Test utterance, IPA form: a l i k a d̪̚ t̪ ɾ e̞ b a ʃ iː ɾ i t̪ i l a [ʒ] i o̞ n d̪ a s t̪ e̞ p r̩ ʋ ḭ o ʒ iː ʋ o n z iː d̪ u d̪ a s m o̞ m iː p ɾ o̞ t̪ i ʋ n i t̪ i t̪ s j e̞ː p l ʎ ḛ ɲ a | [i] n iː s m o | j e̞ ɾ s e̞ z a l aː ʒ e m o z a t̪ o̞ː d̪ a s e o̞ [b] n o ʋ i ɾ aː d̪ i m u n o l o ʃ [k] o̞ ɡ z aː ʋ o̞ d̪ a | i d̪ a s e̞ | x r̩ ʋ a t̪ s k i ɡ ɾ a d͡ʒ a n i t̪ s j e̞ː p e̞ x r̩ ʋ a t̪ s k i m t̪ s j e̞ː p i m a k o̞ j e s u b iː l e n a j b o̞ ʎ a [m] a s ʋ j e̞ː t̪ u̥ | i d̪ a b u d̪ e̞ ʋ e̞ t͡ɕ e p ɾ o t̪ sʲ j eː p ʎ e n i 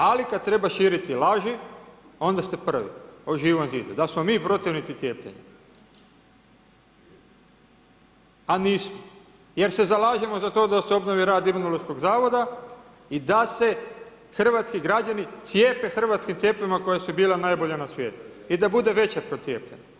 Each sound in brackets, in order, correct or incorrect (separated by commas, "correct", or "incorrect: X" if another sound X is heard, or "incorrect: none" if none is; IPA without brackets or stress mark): correct, incorrect: a, correct, correct, incorrect: n